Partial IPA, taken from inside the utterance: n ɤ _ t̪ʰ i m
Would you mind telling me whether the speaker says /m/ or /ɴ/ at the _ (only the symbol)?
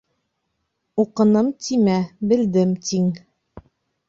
m